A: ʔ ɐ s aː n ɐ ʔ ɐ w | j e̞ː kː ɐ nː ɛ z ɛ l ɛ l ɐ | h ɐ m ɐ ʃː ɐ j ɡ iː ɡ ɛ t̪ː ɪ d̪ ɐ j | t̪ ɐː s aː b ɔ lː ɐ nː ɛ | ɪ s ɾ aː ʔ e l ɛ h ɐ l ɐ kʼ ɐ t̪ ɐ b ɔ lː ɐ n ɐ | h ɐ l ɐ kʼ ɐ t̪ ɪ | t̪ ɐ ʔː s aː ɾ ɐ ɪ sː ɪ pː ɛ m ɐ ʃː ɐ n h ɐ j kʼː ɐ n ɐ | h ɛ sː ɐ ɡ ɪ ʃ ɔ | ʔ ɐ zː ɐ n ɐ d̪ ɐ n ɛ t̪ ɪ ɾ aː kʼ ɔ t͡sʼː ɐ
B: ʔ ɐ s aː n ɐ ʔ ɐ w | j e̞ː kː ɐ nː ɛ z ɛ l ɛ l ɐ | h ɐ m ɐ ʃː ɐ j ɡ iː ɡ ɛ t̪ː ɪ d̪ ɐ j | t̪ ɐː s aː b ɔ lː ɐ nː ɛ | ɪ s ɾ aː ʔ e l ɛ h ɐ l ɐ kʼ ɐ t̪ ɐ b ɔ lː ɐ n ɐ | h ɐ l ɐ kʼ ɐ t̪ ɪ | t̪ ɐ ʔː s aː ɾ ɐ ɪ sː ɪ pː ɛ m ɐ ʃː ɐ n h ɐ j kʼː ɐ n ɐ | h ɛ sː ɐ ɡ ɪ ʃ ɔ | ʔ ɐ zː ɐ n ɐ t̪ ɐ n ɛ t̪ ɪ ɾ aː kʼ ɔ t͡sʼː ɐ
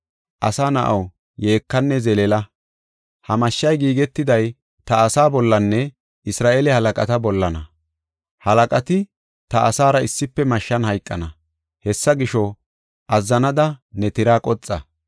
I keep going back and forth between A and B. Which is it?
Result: A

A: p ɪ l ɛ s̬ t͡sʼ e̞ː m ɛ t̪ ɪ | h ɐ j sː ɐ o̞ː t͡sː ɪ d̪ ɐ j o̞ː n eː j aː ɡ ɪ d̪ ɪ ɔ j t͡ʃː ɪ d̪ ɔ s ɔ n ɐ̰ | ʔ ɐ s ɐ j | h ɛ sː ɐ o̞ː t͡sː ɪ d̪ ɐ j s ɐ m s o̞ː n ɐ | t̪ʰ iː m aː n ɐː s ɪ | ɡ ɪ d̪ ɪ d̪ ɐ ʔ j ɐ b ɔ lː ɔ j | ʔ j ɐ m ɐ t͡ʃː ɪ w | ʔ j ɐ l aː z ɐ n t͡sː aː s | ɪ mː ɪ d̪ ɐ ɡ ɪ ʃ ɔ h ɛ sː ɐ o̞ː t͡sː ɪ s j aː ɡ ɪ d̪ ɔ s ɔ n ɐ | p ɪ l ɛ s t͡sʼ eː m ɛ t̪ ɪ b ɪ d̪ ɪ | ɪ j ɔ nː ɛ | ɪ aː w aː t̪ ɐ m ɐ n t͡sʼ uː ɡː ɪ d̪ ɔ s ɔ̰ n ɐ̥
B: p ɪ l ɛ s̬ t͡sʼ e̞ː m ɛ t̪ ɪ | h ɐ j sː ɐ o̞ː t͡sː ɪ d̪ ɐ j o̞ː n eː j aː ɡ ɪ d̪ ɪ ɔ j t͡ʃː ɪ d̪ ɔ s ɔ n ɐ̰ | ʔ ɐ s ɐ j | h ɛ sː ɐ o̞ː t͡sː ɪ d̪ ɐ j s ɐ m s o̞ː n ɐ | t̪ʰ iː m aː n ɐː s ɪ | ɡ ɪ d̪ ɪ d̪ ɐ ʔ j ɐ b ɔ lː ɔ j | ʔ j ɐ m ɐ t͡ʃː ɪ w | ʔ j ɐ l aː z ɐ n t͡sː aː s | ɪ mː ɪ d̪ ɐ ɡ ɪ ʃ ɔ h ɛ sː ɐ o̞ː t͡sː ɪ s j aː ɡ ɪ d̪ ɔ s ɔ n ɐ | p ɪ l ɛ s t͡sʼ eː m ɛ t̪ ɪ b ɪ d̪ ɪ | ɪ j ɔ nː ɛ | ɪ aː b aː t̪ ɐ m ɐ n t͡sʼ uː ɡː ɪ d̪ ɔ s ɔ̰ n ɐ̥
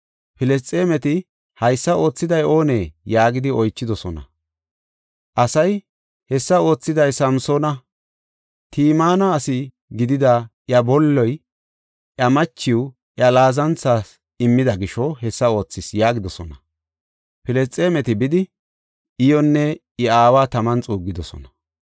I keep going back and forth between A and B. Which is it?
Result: A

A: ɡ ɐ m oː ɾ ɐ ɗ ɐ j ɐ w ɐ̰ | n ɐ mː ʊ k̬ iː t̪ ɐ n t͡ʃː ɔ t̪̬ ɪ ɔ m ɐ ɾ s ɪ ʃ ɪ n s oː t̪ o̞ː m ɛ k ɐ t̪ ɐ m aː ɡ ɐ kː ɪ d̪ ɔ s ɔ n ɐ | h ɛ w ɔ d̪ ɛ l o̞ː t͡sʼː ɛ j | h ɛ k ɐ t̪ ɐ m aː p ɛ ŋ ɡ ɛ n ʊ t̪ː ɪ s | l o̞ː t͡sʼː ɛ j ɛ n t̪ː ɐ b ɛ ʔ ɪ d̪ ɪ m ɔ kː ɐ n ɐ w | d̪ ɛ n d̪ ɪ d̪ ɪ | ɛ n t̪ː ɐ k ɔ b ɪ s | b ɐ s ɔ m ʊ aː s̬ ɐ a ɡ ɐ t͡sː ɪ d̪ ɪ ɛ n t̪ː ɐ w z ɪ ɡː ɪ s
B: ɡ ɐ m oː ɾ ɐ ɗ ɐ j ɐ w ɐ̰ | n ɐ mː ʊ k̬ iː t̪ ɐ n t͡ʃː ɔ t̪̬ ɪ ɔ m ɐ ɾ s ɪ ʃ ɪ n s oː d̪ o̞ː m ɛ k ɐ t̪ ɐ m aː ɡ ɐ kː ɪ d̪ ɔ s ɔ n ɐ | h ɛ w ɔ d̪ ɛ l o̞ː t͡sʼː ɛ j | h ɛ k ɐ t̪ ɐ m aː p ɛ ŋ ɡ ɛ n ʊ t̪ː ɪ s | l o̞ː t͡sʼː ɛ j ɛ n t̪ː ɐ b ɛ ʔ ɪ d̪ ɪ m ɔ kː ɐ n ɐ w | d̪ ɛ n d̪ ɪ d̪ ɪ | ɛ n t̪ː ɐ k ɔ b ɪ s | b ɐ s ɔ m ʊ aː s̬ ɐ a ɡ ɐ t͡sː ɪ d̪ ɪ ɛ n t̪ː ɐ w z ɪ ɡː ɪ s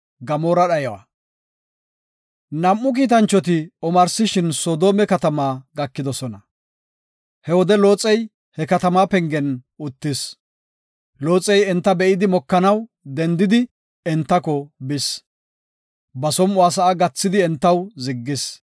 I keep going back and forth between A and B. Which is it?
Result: B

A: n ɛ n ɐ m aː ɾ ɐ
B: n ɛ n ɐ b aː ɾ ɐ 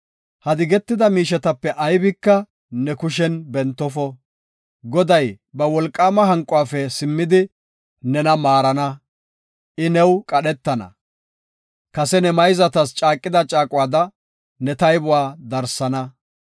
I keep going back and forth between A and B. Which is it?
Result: A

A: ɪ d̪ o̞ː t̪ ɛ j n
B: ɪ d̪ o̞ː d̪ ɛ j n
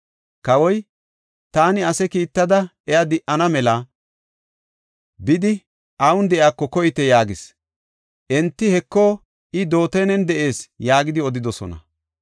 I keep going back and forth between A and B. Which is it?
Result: A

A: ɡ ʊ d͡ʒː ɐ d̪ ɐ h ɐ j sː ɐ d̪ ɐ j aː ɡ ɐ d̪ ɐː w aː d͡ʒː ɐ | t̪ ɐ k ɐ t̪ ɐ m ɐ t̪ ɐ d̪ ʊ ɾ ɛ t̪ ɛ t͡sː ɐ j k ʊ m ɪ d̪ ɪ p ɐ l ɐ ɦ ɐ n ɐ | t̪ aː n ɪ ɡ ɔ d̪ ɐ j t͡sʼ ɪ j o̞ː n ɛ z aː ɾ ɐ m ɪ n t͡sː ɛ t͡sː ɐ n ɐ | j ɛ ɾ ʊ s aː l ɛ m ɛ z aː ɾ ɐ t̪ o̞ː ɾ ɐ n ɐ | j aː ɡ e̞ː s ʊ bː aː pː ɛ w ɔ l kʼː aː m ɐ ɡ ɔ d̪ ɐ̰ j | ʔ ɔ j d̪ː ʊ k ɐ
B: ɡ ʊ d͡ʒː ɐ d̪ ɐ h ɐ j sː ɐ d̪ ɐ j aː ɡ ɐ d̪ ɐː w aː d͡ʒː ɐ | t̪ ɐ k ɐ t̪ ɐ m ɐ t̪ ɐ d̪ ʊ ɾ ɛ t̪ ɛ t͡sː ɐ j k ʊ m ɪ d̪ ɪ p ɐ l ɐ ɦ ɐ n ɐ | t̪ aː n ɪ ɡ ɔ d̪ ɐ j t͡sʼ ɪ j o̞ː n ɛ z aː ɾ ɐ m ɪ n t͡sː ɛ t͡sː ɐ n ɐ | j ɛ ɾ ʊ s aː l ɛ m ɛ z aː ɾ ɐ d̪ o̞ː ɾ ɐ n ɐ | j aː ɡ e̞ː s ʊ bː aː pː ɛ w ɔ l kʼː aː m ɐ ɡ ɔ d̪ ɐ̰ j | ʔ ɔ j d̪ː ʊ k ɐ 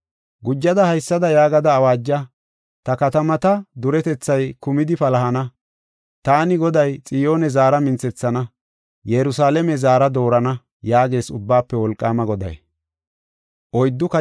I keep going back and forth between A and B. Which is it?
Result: B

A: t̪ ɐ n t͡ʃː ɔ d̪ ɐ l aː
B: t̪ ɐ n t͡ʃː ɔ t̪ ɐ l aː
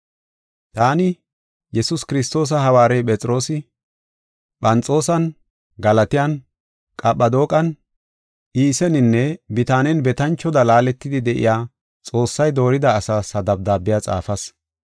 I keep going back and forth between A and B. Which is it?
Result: A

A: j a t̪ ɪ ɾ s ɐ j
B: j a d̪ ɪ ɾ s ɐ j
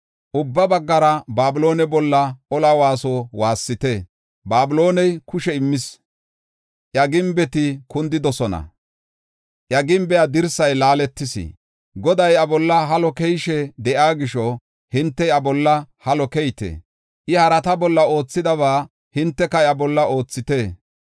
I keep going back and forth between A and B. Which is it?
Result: B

